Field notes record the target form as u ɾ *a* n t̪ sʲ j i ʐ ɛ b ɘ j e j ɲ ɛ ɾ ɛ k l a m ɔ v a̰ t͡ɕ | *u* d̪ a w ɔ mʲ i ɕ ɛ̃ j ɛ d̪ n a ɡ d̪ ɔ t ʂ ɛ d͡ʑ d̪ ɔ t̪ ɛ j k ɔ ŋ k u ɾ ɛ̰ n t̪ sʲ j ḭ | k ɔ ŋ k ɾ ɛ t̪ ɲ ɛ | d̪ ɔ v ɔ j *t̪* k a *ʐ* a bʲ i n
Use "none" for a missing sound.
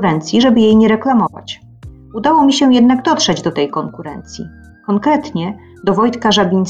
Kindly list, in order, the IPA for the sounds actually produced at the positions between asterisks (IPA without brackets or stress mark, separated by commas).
ɛ, u, t̪, ʐ